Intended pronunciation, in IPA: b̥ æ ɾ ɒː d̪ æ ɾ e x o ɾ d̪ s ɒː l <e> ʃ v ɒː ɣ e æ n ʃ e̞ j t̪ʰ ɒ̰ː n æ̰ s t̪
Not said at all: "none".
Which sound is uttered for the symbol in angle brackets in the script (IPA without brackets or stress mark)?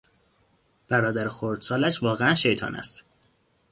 æ